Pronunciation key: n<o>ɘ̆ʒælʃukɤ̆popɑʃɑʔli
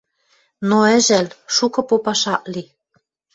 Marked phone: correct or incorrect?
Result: correct